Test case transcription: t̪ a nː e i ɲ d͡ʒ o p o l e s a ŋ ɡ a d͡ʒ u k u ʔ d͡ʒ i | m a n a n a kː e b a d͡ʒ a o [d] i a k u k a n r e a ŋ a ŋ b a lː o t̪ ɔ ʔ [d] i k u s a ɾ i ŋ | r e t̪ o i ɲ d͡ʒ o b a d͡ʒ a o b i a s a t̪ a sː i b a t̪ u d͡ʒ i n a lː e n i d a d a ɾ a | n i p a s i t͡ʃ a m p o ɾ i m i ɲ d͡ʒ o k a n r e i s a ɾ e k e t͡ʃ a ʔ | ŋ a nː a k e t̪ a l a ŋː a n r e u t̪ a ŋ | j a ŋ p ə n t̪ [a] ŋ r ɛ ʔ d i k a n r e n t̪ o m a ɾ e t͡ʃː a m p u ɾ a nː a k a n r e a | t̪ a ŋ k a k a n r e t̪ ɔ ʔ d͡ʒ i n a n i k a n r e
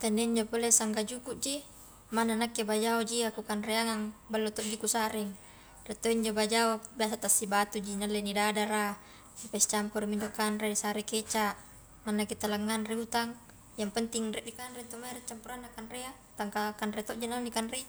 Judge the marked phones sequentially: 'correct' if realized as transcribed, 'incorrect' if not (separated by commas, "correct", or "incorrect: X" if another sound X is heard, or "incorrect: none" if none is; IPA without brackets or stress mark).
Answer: incorrect: d͡ʒ, incorrect: d͡ʒ, incorrect: i